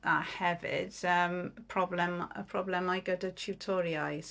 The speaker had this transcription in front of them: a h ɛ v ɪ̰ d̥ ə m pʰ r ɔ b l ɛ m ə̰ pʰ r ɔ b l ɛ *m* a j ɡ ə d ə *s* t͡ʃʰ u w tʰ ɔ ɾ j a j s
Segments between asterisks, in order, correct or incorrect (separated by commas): correct, incorrect